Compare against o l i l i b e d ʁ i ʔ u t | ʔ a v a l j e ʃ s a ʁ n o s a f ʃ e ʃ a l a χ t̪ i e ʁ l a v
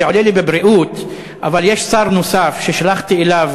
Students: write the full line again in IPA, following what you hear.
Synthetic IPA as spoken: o l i l i b e b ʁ i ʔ u t | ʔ a v a l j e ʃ s a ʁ n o s a f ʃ e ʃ a l a χ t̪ i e l a v